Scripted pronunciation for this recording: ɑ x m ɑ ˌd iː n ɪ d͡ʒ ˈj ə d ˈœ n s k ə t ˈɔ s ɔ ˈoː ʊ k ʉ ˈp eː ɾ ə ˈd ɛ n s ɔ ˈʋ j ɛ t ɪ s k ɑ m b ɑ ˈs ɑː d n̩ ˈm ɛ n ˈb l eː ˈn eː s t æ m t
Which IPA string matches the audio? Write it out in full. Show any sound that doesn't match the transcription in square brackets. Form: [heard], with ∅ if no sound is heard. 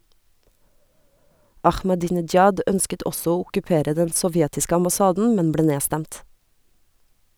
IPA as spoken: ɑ x m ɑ ˌd iː n ɪ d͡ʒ ˈj [ɑ] d ˈœ n s k ə t ˈɔ s ɔ ˈoː ʊ k ʉ ˈp eː ɾ ə ˈd ɛ n s ɔ ˈʋ j ɛ t ɪ s k ɑ m b ɑ ˈs ɑː d n̩ ˈm ɛ n ˈb l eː ˈn eː s t æ m t